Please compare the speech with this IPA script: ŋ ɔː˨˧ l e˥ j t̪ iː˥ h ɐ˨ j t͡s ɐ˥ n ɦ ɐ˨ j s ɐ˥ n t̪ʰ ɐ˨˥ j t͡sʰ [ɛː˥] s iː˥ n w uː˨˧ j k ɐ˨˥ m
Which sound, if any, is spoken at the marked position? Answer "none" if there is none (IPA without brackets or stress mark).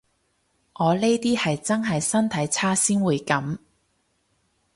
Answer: aː˥